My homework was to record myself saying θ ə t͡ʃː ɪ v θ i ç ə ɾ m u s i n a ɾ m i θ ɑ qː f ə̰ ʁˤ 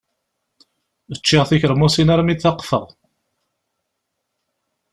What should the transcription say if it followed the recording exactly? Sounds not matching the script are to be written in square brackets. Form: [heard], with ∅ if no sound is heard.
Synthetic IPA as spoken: [ð] ə t͡ʃː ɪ [ʁ] θ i ç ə ɾ m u s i n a ɾ m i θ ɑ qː f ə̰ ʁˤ